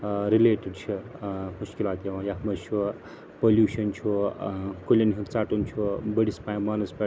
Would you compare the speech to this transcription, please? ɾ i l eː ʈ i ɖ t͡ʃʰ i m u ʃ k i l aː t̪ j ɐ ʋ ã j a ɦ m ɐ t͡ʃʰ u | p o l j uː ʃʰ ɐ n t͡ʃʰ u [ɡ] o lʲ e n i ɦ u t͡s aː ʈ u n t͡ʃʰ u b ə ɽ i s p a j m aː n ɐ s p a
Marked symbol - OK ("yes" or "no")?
no